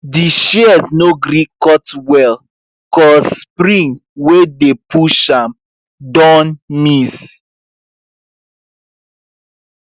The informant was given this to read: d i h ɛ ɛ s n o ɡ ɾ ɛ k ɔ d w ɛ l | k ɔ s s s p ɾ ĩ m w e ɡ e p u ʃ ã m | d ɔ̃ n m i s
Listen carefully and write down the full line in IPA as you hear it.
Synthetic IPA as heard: d i ʃ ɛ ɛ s n o ɡ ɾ i k ɔ t w ɛ l | k ɔ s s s p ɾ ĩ ŋ w e d e p u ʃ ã m | d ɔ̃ n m i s